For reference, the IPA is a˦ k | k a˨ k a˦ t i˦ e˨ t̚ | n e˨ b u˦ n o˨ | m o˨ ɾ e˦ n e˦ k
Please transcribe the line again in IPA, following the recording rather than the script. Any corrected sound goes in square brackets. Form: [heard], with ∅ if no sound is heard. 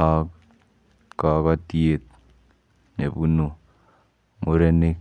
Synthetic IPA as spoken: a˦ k | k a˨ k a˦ t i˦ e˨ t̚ | n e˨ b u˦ n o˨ | m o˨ ɾ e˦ n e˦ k